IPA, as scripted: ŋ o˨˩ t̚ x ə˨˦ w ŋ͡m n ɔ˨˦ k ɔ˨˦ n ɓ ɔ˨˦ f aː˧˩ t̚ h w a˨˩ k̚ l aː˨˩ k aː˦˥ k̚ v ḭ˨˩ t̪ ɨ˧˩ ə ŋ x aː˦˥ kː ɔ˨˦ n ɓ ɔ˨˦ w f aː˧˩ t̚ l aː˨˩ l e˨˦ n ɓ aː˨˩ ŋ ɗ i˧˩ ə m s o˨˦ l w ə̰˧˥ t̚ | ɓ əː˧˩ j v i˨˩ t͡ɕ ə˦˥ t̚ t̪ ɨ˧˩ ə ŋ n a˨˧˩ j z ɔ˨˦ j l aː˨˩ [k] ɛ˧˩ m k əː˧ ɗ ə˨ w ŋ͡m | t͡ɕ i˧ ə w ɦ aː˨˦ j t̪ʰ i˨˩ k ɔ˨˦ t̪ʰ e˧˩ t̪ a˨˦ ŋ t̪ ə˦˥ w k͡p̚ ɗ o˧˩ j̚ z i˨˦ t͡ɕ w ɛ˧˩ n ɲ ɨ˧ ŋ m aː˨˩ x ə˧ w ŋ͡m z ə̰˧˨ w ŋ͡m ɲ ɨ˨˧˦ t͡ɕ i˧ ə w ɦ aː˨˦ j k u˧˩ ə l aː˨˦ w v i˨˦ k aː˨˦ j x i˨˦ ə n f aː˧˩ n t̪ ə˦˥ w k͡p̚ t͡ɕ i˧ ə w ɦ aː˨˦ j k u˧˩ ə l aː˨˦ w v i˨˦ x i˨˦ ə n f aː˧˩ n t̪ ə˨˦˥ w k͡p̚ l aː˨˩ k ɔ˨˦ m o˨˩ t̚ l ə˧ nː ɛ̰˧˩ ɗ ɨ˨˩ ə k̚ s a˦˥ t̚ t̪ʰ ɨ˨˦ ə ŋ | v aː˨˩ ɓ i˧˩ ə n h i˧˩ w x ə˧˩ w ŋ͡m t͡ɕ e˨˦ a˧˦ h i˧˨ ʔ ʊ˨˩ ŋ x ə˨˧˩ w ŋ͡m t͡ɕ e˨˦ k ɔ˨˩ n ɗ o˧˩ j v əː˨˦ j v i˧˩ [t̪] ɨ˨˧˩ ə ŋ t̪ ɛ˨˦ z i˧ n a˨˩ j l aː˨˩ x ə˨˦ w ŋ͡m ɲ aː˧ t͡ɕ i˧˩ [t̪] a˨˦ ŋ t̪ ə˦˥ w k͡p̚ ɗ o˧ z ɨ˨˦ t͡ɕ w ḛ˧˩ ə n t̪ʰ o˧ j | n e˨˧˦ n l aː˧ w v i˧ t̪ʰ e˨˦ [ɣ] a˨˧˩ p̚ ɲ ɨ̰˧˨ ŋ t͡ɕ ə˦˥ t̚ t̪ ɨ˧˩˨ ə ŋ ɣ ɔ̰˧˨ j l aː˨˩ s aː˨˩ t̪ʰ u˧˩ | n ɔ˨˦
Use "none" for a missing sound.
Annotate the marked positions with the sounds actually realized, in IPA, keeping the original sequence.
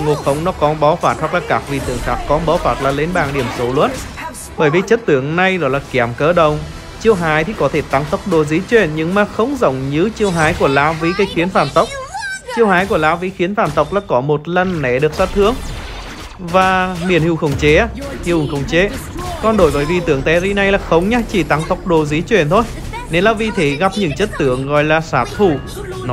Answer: k, t̪, t̪, ɣ

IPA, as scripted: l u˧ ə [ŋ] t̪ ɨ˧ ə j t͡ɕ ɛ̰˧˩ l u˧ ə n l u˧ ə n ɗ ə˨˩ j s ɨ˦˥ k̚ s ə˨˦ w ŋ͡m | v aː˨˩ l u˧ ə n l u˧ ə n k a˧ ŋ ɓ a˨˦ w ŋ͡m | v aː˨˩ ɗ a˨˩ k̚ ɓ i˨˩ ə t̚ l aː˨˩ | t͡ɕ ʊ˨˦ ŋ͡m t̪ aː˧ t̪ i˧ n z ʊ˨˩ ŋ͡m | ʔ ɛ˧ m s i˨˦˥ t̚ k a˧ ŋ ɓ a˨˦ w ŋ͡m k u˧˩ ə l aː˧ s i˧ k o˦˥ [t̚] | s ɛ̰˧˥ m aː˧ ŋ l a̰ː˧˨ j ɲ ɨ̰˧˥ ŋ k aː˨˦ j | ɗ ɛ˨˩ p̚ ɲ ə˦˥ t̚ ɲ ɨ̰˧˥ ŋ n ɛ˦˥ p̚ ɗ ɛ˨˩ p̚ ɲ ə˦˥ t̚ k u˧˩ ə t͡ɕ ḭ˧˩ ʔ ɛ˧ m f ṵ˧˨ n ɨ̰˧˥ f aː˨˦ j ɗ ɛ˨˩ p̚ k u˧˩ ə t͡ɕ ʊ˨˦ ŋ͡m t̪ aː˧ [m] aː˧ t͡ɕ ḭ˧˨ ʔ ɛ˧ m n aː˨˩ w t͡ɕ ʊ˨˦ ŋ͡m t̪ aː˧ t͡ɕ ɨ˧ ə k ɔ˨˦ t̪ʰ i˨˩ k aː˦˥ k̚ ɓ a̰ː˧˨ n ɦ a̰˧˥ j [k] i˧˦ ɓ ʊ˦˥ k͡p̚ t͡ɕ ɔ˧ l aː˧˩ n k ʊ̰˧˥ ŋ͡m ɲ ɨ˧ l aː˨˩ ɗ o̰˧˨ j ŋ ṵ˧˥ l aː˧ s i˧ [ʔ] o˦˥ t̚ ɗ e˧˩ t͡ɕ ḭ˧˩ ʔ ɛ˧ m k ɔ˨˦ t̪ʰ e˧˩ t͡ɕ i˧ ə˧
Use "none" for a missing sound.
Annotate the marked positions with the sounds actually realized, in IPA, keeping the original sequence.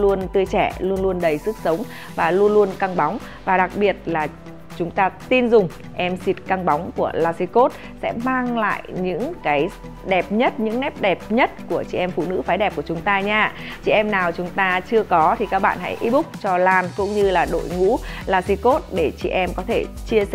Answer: n, t̚, ɲ, ʔ, k

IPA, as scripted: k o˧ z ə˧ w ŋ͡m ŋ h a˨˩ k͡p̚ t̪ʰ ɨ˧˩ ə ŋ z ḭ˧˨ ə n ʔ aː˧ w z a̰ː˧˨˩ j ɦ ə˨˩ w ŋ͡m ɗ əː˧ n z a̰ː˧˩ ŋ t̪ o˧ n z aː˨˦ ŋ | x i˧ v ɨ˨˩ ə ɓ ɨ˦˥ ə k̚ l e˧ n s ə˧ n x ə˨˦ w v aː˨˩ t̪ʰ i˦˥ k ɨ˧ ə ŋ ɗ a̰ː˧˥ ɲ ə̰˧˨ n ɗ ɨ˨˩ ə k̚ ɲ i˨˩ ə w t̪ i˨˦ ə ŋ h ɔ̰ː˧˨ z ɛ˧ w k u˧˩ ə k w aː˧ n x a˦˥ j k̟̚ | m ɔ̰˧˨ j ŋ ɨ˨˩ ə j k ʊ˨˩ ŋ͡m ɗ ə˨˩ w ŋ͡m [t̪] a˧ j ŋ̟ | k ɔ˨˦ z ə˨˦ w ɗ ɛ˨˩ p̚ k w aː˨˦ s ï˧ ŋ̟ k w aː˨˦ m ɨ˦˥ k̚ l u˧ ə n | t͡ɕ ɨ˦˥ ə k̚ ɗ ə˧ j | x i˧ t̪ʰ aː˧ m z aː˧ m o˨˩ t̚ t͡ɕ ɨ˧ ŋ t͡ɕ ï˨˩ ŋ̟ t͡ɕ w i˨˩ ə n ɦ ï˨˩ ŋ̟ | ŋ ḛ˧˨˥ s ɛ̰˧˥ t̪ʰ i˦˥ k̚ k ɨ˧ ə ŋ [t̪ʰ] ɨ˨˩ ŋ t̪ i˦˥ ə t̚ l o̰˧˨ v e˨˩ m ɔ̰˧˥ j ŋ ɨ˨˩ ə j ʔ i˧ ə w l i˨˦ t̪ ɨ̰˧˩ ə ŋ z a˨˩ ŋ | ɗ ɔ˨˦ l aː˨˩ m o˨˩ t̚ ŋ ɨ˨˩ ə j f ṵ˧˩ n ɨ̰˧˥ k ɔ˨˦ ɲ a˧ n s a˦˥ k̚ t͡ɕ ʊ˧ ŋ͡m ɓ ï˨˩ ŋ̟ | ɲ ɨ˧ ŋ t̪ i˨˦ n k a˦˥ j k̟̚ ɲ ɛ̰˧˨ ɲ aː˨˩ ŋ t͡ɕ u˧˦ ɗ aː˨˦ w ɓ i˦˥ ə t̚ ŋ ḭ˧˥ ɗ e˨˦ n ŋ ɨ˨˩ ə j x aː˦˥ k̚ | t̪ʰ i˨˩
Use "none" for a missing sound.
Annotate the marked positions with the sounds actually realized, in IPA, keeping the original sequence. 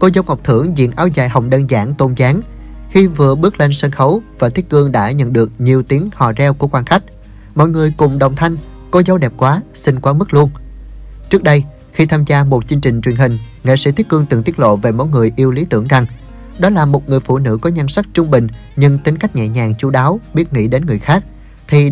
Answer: t̪ʰ, t̪

